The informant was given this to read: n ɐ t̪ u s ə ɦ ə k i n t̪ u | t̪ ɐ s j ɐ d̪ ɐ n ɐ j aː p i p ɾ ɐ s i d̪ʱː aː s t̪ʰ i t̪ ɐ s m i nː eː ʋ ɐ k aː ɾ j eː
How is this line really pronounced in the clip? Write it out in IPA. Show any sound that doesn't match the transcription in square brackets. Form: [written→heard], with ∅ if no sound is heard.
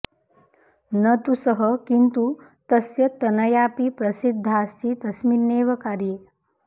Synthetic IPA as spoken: n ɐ t̪ u s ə ɦ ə k i n t̪ u | t̪ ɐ s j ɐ [d̪→t̪] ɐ n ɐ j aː p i p ɾ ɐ s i d̪ʱː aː s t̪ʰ i t̪ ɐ s m i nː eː ʋ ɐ k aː ɾ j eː

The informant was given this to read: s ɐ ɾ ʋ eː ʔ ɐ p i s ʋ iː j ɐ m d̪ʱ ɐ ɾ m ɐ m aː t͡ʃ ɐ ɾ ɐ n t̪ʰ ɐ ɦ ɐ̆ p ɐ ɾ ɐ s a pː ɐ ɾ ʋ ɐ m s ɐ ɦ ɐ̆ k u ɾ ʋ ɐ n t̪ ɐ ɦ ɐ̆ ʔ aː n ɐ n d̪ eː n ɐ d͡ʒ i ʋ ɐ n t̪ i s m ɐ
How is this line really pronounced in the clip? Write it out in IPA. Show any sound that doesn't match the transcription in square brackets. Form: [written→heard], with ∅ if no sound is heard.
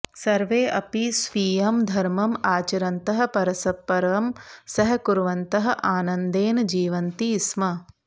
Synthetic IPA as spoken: s ɐ ɾ ʋ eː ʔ ɐ p i s ʋ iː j ɐ m d̪ʱ ɐ ɾ m ɐ m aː t͡ʃ ɐ ɾ ɐ n [t̪ʰ→t̪] ɐ ɦ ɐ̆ p ɐ ɾ ɐ s [a→ɐ] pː ɐ ɾ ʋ ɐ m s ɐ ɦ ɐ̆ k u ɾ ʋ ɐ n t̪ ɐ ɦ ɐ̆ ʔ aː n ɐ n d̪ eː n ɐ d͡ʒ [i→iː] ʋ ɐ n t̪ i s m ɐ

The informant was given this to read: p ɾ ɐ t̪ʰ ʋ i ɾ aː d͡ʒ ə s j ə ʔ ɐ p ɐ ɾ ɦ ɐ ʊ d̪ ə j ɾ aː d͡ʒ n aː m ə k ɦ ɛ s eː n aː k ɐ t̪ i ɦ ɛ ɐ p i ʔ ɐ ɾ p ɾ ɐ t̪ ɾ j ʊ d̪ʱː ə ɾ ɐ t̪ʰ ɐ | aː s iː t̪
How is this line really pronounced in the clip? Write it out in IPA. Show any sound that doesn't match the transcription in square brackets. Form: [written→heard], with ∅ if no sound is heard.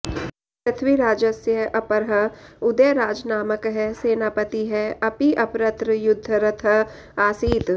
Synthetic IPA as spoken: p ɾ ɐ t̪ʰ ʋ i ɾ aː d͡ʒ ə s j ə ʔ ɐ p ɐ ɾ ɦ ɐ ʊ d̪ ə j ɾ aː d͡ʒ n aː m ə k ɦ ɛ s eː n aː [k→p] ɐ t̪ i ɦ ɛ ɐ p i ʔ ɐ [ɾ→∅] p ɾ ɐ t̪ ɾ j ʊ d̪ʱː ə ɾ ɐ t̪ʰ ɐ | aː s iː t̪

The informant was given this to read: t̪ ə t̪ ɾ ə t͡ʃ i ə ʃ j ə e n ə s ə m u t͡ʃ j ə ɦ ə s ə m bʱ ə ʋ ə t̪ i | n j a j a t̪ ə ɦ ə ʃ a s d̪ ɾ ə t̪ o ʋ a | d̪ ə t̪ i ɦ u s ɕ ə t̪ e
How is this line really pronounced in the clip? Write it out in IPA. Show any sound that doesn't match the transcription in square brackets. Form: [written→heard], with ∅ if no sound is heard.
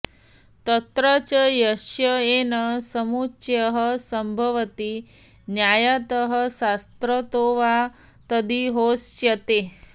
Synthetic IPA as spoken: t̪ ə t̪ ɾ ə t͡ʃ [i→j] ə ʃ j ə e n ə s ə m u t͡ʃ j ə ɦ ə s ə m bʱ ə ʋ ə t̪ i | n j a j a t̪ ə ɦ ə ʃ a s [d̪→t̪] ɾ ə t̪ o ʋ a | [d̪→t̪] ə [t̪→d̪] i ɦ [u→o] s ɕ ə t̪ e

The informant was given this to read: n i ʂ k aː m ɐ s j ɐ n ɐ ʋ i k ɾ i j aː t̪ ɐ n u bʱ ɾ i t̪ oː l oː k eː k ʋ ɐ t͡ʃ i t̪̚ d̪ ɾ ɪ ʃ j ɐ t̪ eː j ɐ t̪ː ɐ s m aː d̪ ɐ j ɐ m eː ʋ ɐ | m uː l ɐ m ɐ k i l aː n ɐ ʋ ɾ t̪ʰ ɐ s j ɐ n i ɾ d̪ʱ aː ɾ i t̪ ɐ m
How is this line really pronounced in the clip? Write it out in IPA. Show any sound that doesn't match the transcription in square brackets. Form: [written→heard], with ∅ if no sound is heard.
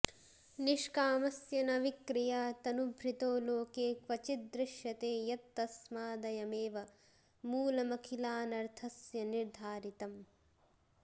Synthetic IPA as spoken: n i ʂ k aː m ɐ s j ɐ n ɐ ʋ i k ɾ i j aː t̪ ɐ n u bʱ ɾ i t̪ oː l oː k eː k ʋ ɐ t͡ʃ i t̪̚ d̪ ɾ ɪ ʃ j ɐ t̪ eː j ɐ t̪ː ɐ s m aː d̪ ɐ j ɐ m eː ʋ ɐ | m uː l ɐ m ɐ [k→kʰ] i l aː n ɐ [ʋ→∅] ɾ t̪ʰ ɐ s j ɐ n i ɾ d̪ʱ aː ɾ i t̪ ɐ m

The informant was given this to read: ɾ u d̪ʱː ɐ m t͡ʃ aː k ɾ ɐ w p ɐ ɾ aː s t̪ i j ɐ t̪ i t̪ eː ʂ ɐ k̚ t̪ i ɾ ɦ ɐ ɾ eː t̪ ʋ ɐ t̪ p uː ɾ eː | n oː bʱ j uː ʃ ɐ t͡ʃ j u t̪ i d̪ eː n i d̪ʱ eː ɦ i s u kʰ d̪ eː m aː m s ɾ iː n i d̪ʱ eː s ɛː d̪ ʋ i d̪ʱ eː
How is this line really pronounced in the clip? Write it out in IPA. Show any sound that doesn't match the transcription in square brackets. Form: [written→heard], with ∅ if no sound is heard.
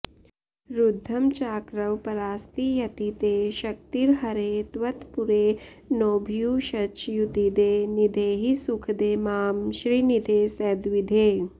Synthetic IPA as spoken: ɾ u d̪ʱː ɐ m t͡ʃ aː k ɾ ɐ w p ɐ ɾ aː s t̪ i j ɐ t̪ i t̪ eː [ʂ→ʃ] ɐ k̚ t̪ i ɾ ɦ ɐ ɾ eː t̪ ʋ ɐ t̪ p [uː→u] ɾ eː | n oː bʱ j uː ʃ ɐ t͡ʃ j u t̪ i d̪ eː n i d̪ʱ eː ɦ i s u kʰ d̪ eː m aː m [s→ʃ] ɾ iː n i d̪ʱ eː s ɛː d̪ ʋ i d̪ʱ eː

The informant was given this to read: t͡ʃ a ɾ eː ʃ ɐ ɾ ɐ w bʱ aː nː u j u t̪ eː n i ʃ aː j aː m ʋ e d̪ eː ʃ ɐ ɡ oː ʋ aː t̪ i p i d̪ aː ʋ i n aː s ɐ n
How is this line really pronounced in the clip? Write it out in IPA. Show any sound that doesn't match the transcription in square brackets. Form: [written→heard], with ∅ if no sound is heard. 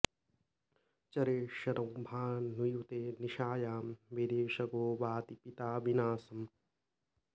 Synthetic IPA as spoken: t͡ʃ [a→ɐ] ɾ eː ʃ ɐ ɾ ɐ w bʱ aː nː u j u t̪ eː n i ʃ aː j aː m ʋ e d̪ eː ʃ ɐ ɡ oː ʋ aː t̪ i p i [d̪→t̪] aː ʋ i n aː s ɐ [n→m]

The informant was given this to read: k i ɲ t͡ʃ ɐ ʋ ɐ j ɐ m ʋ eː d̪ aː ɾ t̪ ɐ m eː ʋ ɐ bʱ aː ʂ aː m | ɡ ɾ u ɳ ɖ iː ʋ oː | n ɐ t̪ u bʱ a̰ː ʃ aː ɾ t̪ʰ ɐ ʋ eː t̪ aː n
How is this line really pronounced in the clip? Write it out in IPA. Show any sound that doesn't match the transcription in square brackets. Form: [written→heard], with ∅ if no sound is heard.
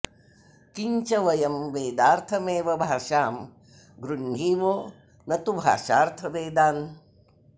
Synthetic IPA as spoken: k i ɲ t͡ʃ ɐ ʋ ɐ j ɐ m ʋ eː d̪ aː ɾ [t̪→t̪ʰ] ɐ m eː ʋ ɐ bʱ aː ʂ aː m | ɡ ɾ u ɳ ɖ iː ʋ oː | n ɐ t̪ u bʱ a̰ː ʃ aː ɾ t̪ʰ ɐ ʋ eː [t̪→d̪] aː n

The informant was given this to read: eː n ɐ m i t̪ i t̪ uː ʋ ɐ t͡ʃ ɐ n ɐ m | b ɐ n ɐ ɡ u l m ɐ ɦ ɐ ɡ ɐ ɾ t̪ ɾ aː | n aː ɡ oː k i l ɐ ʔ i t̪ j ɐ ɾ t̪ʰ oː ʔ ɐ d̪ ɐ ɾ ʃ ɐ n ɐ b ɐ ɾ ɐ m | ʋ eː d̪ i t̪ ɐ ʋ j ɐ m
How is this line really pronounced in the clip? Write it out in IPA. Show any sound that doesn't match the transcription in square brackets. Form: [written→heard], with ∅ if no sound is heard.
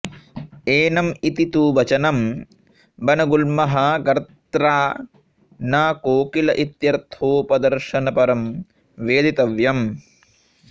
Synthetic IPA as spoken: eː n ɐ m i t̪ i t̪ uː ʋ ɐ t͡ʃ ɐ n ɐ m | b ɐ n ɐ ɡ u l m ɐ ɦ ɐ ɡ ɐ ɾ t̪ ɾ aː | n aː [ɡ→k] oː k i l ɐ ʔ i t̪ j ɐ ɾ t̪ʰ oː [ʔ→p] ɐ d̪ ɐ ɾ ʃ ɐ n ɐ [b→p] ɐ ɾ ɐ m | ʋ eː d̪ i t̪ ɐ ʋ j ɐ m

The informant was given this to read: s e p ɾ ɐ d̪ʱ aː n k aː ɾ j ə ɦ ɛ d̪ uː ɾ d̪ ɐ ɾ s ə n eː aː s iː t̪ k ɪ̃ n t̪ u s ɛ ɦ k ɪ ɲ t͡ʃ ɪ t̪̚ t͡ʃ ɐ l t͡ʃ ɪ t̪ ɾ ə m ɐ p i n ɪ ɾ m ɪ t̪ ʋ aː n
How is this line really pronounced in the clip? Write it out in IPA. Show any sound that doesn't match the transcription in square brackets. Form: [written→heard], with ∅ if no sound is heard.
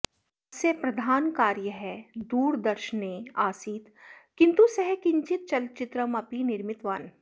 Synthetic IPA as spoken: s e p ɾ ɐ d̪ʱ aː n k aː ɾ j ə ɦ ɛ d̪ uː ɾ d̪ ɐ ɾ [s→ʃ] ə n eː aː s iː t̪ k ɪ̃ n t̪ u s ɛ ɦ k ɪ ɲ t͡ʃ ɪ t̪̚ t͡ʃ ɐ l t͡ʃ ɪ t̪ ɾ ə m ɐ p i n ɪ ɾ m ɪ t̪ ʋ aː n

